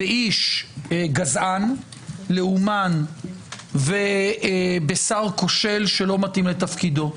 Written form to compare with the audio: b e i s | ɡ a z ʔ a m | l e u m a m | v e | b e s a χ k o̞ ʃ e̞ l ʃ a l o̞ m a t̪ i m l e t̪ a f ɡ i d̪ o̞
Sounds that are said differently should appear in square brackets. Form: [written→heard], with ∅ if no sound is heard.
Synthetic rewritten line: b e i [s→ʃ] | ɡ a z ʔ a [m→n] | l e u m a [m→n] | v e | b e s a [χ→ʁ] k o̞ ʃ e̞ l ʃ [a→e] l o̞ m a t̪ i m l e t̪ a f [ɡ→k] i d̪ o̞